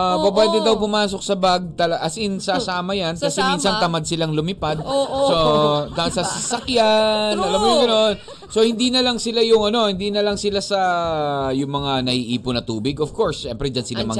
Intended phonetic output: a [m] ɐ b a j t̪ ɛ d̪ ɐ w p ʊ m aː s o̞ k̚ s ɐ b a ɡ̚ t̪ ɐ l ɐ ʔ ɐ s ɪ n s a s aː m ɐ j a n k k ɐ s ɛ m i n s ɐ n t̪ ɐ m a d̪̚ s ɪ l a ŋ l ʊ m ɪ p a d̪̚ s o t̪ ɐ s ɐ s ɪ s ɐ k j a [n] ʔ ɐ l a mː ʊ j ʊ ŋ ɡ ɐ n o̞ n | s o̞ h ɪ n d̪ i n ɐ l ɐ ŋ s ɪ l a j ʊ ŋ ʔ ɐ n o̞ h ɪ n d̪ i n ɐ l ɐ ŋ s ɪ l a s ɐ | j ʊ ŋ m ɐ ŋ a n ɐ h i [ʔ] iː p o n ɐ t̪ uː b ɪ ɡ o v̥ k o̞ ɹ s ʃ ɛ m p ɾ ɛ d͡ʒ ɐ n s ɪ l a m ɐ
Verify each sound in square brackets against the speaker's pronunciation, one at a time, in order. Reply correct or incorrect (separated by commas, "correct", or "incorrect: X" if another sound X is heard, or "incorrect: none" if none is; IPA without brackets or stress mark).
incorrect: b, correct, correct